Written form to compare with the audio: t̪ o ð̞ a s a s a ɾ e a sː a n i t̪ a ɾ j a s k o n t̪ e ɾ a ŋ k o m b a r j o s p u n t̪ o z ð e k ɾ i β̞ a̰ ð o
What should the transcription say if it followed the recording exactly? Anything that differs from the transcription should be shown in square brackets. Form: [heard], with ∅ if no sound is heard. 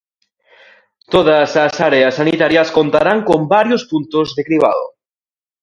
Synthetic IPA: t̪ o ð̞ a s a s a ɾ e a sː a n i t̪ a ɾ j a s k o n t̪ [a] ɾ a ŋ k o m b a [ɾ] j o s p u n t̪ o z ð e k ɾ i β̞ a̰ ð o